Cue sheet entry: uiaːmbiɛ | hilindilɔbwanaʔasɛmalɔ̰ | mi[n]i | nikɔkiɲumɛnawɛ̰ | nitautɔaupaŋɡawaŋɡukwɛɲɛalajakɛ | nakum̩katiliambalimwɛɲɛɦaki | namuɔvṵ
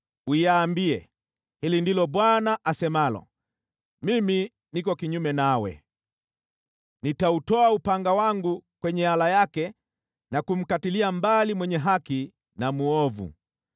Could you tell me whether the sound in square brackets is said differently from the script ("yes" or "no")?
yes